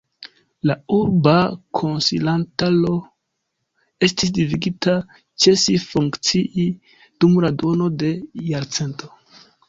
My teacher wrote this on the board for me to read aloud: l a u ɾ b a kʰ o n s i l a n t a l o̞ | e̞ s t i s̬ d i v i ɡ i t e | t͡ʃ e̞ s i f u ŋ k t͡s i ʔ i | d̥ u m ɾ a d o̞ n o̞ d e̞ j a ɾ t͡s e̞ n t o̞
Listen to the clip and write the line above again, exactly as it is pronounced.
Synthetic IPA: l a u ɾ b a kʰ o n s i l a n t a l o̞ | e̞ s t i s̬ d i v i ɡ i t a | t͡ʃ e̞ s i f u ŋ k t͡s i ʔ i | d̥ u m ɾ a d o̞ n o̞ d e̞ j a ɾ t͡s e̞ n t o̞